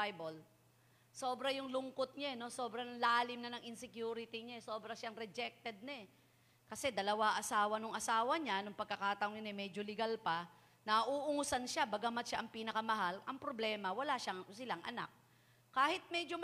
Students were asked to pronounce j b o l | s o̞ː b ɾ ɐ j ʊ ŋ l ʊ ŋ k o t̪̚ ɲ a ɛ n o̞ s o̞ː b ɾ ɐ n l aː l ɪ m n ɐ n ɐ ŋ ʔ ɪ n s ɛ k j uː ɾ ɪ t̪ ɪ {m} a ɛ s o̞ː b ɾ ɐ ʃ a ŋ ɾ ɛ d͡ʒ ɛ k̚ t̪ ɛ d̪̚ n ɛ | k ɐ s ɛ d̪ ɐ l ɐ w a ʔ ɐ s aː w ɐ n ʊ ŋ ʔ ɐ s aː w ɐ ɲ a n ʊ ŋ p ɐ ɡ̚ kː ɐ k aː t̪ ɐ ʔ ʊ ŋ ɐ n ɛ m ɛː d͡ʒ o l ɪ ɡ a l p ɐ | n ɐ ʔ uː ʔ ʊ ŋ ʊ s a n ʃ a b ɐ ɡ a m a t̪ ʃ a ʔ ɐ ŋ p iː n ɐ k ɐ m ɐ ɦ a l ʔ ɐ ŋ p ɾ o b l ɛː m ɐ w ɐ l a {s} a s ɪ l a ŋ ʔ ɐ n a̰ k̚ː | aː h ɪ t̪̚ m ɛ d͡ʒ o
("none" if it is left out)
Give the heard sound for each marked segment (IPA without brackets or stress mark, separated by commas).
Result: ɲ, ʃ